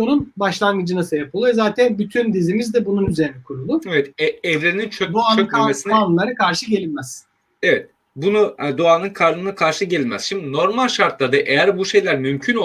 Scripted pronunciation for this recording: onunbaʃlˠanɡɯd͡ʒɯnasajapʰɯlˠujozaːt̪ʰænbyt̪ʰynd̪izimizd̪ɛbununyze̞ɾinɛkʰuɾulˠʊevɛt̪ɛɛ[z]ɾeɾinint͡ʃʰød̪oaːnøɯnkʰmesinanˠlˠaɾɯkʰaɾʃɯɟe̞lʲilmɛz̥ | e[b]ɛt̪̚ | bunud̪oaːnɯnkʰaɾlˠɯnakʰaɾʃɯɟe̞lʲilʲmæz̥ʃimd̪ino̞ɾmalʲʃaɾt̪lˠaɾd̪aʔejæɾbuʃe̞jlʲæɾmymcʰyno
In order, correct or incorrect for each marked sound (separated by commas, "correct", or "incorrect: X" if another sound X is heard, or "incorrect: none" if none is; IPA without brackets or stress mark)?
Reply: incorrect: v, incorrect: v